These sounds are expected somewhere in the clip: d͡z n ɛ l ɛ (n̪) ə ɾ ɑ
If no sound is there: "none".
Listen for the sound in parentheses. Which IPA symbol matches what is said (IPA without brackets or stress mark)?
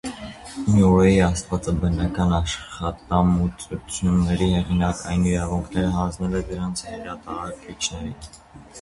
d̪